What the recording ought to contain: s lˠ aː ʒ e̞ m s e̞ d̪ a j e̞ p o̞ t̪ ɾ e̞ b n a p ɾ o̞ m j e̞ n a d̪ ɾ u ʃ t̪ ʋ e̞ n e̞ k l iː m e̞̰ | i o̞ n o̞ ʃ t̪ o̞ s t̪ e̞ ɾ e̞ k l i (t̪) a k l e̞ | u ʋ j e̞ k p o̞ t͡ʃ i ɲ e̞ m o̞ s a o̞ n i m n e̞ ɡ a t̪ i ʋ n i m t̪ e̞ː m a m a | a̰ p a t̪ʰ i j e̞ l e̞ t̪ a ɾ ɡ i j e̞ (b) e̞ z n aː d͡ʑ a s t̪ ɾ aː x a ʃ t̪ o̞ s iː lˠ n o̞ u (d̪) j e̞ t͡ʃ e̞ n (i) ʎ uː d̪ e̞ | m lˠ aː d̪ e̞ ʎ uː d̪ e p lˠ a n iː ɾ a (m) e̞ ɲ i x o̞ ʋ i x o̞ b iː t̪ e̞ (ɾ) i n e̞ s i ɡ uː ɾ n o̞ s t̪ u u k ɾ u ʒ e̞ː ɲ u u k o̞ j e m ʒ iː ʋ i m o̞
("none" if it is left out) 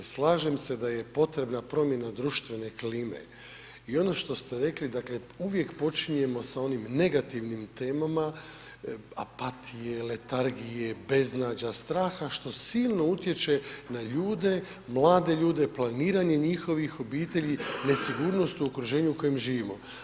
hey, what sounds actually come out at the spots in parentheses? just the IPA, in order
d̪, b, t̪, a, ɲ, ʎ

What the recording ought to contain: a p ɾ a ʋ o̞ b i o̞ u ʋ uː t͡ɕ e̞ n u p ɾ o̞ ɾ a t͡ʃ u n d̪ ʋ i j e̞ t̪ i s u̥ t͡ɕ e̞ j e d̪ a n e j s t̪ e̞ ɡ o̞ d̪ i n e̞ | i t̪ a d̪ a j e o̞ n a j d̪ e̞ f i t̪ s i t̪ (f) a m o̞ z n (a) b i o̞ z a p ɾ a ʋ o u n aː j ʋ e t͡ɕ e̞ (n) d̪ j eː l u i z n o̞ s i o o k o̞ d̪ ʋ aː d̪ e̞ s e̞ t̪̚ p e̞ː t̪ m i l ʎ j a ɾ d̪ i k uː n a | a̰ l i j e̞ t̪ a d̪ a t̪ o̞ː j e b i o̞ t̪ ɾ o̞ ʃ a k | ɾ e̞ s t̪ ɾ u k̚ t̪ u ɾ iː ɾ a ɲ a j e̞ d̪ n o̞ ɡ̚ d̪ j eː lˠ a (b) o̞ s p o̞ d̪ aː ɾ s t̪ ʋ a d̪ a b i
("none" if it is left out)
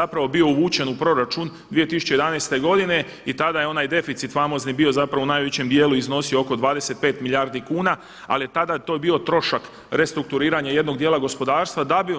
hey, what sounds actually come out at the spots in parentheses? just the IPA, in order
f, i, m, ɡ

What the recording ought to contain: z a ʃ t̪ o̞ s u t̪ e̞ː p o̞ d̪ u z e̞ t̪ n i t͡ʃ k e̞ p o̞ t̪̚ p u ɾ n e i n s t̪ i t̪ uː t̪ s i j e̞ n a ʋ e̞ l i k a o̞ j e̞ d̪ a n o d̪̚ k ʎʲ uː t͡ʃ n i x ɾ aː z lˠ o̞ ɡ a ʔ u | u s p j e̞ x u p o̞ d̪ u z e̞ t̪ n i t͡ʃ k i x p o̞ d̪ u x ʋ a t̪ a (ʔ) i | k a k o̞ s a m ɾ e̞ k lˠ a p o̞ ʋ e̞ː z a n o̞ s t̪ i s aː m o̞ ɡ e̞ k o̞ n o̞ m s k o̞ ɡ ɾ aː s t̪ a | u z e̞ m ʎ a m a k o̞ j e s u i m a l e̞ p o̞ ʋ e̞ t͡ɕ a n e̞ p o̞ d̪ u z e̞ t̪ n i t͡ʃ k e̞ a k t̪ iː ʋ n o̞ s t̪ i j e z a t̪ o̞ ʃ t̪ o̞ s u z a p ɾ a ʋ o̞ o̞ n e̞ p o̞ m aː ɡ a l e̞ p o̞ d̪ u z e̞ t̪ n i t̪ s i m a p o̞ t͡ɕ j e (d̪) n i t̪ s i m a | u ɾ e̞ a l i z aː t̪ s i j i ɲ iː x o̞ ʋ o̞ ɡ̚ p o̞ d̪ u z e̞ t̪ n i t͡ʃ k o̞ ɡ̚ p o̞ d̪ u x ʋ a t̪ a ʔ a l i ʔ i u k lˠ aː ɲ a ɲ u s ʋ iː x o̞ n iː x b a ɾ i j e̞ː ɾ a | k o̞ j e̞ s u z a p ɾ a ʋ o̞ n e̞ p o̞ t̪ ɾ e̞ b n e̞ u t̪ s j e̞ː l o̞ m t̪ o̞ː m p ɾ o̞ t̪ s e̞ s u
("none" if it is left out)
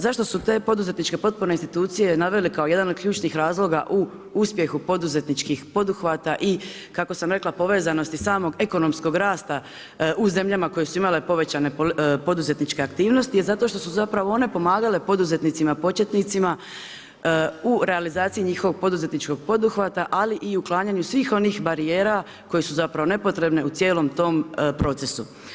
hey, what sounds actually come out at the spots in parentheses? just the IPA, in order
ʔ, t̪

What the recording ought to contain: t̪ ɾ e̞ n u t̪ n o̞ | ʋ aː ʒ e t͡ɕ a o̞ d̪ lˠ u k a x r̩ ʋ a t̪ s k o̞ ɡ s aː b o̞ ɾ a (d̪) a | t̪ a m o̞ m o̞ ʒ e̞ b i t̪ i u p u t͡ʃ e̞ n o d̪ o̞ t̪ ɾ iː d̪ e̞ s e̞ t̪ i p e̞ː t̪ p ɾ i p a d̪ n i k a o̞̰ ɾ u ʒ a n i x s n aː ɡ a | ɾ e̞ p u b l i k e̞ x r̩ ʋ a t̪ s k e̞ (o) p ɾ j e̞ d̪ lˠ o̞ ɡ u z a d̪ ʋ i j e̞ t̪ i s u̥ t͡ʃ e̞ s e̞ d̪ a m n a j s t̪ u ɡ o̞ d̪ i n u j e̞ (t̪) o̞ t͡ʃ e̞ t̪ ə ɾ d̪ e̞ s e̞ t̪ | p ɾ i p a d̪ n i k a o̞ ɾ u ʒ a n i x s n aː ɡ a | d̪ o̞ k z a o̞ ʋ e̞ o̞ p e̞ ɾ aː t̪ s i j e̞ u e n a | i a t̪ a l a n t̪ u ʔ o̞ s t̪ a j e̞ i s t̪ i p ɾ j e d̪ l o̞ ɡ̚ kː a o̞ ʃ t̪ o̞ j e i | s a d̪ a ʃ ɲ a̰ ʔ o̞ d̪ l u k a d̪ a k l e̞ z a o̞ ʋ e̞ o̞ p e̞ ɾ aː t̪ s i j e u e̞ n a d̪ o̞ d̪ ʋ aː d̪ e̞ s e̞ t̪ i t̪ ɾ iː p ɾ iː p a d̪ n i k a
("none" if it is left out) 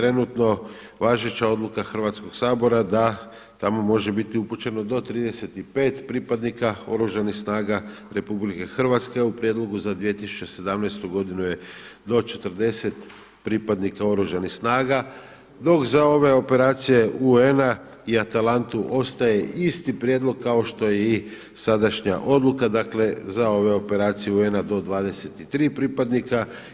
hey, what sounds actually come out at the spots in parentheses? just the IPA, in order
d̪, u, d̪

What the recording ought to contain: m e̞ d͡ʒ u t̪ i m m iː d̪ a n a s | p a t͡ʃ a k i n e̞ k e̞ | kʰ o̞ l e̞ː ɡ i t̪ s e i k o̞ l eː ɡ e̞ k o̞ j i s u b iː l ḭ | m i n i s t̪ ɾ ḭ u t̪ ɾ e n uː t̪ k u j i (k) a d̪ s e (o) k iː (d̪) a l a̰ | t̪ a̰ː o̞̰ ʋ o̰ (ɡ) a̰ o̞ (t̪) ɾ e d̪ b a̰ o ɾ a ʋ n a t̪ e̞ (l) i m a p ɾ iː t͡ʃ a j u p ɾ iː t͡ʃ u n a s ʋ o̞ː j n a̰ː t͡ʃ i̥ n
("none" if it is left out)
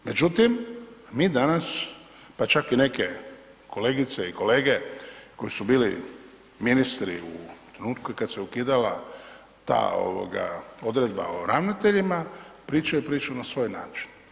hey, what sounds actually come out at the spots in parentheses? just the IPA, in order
k, u, d̪, ɡ, d̪, ʎ

